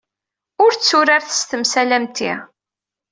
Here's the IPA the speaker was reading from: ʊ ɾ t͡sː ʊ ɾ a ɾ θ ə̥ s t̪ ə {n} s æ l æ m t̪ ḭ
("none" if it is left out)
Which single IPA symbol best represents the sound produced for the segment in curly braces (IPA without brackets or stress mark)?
m